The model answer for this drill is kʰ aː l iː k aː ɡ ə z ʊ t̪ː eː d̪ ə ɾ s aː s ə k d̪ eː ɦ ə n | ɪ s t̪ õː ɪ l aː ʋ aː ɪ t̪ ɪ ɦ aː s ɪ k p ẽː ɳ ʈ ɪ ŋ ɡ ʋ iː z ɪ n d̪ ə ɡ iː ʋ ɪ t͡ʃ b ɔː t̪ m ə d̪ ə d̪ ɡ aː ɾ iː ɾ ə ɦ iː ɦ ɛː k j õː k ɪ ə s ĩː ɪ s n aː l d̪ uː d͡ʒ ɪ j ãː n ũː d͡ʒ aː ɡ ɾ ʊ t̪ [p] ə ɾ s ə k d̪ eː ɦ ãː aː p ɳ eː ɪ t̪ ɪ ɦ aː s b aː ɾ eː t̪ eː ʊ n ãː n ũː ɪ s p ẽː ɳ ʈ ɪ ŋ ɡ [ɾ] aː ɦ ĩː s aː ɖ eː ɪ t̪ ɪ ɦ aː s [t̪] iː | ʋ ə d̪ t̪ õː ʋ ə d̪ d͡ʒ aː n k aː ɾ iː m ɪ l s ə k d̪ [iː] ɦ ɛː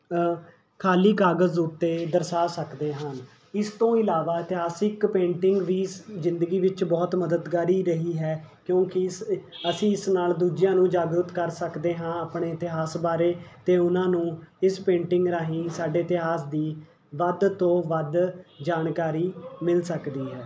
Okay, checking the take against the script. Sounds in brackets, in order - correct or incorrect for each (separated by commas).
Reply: incorrect, correct, incorrect, correct